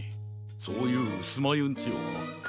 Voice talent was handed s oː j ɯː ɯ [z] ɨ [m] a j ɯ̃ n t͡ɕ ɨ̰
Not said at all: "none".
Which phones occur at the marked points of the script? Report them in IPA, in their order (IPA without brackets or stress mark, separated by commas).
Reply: s, m